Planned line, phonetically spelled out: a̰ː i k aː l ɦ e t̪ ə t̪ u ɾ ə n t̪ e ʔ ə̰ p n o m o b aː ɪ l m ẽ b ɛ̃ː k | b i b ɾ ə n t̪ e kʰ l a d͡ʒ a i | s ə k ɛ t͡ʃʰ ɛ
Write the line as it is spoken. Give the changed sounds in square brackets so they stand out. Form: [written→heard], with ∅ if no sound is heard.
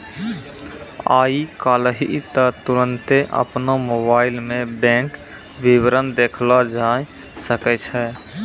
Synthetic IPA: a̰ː i k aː l ɦ [e→i] t̪ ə t̪ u ɾ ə n t̪ e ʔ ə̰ p n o m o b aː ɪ l m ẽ b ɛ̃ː k | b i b ɾ ə n [t̪→d̪] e kʰ l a d͡ʒ a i | s ə k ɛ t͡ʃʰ ɛ

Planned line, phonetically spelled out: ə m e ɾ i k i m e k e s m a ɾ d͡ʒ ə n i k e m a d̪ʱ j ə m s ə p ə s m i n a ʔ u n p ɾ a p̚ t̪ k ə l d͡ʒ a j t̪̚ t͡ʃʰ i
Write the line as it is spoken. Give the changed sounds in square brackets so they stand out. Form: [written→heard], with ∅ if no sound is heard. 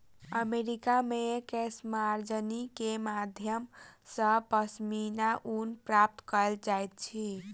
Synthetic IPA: ə m e ɾ i k [i→a] m e k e s m a ɾ d͡ʒ ə n i k e m a d̪ʱ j ə m s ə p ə s m i n a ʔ u n p ɾ a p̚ t̪ k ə l d͡ʒ a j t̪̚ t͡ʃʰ i

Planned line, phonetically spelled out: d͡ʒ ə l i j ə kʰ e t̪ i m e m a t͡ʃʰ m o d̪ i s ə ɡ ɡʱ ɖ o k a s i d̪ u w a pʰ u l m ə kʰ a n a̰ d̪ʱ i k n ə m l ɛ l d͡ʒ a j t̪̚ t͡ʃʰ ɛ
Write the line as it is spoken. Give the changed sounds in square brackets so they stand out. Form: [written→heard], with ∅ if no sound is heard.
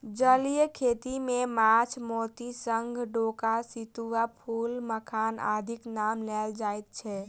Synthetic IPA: d͡ʒ ə l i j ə kʰ e t̪ i m e m a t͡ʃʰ m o [d̪→t̪] i s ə [ɡ→ŋ] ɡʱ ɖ o k a s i [d̪→t̪] u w a pʰ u l m ə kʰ a n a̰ d̪ʱ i k n [ə→a] m l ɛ l d͡ʒ a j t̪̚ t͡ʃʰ ɛ

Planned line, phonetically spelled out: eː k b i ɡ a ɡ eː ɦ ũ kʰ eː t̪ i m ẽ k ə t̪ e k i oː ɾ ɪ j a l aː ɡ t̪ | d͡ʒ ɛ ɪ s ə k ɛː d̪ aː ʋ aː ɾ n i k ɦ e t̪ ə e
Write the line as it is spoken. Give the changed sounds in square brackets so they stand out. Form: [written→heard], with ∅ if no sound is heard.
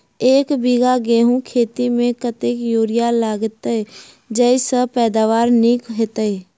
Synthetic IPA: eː k b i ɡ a ɡ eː ɦ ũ kʰ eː t̪ i m ẽ k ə t̪ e k [i→j] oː ɾ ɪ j a l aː ɡ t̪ | d͡ʒ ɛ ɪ s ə [k→p] ɛː d̪ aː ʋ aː ɾ n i k ɦ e t̪ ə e

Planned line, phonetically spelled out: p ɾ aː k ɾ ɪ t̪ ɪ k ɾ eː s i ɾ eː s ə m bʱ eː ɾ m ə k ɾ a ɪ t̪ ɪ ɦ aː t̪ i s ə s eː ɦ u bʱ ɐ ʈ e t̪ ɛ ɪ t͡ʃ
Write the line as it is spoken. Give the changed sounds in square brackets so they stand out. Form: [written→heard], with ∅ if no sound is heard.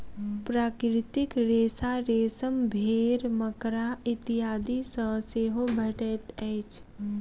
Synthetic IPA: p ɾ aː k ɾ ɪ t̪ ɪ k ɾ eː s [i→a] ɾ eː s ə m bʱ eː ɾ m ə k ɾ a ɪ t̪ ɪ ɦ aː [t̪→d̪] i s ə s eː ɦ [u→o] bʱ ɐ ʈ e t̪ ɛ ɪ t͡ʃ

